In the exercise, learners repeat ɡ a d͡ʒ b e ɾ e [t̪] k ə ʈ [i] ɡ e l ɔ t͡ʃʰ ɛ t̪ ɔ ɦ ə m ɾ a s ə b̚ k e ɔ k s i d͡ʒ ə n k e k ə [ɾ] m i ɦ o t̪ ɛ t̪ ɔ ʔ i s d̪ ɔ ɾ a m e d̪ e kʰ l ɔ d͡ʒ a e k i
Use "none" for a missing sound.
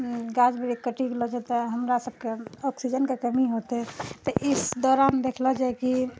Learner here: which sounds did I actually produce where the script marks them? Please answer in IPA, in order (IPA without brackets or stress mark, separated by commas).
none, i, none